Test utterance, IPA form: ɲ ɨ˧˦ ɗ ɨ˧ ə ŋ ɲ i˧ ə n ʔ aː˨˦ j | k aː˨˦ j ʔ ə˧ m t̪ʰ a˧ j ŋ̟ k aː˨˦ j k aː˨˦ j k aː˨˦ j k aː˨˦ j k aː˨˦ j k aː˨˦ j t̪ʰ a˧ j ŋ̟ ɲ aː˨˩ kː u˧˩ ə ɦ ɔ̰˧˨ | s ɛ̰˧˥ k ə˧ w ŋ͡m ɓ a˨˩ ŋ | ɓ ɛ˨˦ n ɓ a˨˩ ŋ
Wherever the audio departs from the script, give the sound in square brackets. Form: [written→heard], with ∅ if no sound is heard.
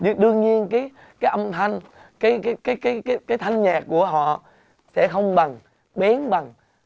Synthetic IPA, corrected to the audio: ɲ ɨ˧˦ ɗ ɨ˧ ə ŋ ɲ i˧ ə n [ʔ→k] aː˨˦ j | k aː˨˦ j ʔ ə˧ m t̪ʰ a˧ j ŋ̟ k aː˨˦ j k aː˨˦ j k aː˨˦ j k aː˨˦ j k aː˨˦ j k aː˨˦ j t̪ʰ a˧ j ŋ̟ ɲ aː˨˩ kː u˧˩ ə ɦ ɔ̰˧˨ | s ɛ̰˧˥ [k→x] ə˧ w ŋ͡m ɓ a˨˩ ŋ | ɓ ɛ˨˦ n ɓ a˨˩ ŋ